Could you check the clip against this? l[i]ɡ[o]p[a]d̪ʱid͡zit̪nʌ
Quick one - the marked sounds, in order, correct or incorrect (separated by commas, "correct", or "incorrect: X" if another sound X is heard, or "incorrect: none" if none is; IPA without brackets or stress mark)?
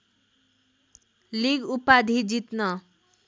correct, incorrect: u, correct